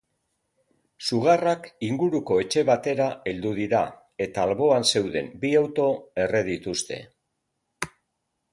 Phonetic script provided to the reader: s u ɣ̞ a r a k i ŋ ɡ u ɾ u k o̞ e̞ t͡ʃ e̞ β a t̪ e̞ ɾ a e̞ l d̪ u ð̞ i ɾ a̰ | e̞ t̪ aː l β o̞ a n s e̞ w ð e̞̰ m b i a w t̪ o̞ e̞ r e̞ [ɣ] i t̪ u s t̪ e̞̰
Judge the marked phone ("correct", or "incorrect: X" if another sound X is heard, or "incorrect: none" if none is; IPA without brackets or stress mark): incorrect: ð